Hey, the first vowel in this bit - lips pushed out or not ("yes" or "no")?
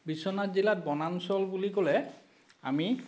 no